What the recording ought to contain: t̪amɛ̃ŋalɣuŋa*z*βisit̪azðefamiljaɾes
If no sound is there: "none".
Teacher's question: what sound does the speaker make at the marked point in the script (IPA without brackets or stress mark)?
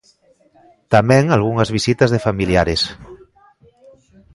z